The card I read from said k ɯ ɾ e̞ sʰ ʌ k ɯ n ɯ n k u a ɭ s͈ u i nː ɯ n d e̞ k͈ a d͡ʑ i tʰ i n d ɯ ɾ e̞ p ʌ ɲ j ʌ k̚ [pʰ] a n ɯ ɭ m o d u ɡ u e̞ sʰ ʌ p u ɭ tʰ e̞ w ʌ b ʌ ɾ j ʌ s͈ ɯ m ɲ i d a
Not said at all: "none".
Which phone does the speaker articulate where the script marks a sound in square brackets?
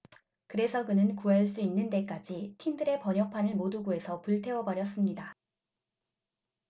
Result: pʰ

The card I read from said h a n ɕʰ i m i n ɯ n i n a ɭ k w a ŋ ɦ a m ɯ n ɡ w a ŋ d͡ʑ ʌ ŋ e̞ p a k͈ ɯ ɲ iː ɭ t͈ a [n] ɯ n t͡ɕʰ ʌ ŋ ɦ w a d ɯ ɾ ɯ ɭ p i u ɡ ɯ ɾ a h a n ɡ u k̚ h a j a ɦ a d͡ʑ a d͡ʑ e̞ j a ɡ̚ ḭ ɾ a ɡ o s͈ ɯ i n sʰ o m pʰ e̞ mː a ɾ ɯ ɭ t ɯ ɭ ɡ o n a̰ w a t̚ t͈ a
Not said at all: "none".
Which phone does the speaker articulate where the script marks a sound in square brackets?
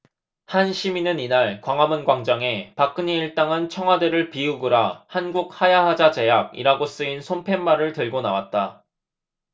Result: ŋ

